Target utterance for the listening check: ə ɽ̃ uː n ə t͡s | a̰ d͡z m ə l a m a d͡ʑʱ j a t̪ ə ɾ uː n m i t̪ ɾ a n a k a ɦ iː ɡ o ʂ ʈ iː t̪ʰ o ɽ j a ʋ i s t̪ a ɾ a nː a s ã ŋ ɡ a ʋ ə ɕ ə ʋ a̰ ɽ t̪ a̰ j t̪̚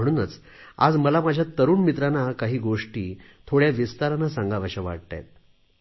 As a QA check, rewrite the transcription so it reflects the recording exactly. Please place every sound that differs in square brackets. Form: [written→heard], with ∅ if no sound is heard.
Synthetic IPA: ə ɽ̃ uː n ə t͡s | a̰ d͡z m ə l a m a d͡ʑʱ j a t̪ ə ɾ uː n m i t̪ ɾ a n a k a ɦ iː ɡ o ʂ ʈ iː t̪ʰ o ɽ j a ʋ i s t̪ a ɾ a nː a s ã ŋ ɡ a ʋ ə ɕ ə ʋ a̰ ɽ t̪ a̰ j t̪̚